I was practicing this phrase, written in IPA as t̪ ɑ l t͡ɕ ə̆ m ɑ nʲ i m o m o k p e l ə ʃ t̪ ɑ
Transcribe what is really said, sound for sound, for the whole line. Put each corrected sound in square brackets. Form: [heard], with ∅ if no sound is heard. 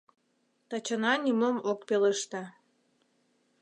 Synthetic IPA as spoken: t̪ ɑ [∅] t͡ɕ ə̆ [n] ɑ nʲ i m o m o k p e l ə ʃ t̪ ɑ